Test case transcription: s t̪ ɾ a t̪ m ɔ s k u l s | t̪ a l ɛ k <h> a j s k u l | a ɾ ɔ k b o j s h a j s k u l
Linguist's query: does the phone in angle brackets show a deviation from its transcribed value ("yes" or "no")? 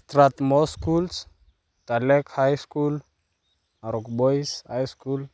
no